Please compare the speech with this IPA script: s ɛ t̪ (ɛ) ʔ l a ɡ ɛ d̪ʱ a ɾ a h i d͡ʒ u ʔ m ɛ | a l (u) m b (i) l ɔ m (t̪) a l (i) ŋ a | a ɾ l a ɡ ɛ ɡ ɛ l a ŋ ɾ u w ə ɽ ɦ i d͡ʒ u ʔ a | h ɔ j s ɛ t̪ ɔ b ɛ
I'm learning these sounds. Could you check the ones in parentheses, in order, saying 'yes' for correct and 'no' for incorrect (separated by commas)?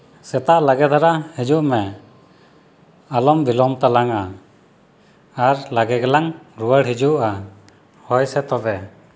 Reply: no, no, yes, yes, no